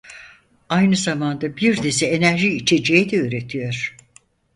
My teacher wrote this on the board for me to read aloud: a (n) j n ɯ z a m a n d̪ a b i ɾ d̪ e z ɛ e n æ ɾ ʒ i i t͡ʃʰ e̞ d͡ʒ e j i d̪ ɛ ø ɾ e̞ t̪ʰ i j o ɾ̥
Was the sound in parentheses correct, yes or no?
no